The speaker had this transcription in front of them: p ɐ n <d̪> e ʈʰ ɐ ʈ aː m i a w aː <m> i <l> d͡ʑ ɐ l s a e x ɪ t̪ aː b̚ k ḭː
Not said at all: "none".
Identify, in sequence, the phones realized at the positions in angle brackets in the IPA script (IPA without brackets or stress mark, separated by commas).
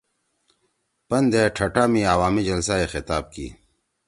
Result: d̪, m, none